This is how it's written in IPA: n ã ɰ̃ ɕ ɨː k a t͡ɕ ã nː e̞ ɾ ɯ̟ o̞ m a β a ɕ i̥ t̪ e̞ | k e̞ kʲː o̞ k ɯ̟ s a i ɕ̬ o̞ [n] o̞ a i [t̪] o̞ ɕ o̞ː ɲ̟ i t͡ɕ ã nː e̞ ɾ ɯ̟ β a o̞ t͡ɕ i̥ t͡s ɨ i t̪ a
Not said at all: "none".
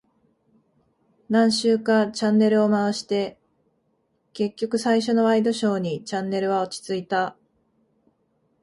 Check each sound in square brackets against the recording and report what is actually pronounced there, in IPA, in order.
n, d̪

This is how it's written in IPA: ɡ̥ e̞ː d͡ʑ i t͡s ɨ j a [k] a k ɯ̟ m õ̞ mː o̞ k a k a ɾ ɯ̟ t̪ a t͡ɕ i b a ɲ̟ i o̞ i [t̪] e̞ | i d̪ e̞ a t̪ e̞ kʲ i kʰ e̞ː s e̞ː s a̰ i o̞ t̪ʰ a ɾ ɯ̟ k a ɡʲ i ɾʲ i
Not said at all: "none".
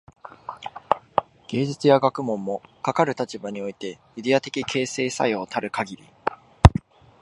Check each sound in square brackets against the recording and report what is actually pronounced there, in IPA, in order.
ɡ, t̪

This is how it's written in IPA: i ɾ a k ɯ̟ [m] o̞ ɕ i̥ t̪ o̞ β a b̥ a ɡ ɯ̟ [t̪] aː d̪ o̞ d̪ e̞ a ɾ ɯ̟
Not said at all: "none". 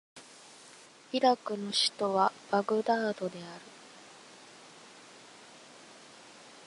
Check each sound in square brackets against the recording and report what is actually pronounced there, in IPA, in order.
n, d̪

